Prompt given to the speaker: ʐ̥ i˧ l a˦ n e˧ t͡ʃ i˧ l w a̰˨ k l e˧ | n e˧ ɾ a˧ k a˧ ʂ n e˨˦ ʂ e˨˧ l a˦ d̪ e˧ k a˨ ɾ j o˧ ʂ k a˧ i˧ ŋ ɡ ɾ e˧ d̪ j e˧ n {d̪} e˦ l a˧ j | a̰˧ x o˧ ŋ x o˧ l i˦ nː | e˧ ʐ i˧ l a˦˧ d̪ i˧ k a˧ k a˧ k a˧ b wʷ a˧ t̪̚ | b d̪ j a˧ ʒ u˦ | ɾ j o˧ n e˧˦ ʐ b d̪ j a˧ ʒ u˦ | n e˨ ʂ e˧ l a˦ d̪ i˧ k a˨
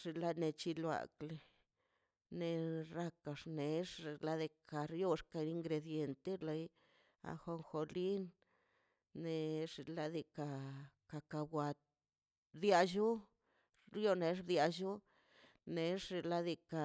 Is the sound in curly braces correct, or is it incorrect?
incorrect